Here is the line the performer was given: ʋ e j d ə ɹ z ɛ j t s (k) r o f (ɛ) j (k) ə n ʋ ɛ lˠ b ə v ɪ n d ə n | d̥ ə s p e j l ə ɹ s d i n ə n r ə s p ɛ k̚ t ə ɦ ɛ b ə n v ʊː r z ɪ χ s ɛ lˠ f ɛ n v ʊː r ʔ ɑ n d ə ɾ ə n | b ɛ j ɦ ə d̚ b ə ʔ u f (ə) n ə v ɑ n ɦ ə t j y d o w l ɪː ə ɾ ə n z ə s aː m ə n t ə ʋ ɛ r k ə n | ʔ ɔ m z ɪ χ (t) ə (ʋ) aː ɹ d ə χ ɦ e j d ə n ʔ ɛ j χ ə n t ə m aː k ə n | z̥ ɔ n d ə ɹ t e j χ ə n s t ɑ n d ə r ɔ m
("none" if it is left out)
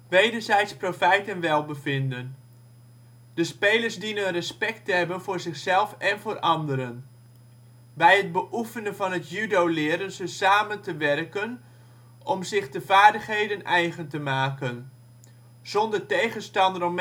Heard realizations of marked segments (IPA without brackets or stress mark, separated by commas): p, ɛ, t, ə, d, v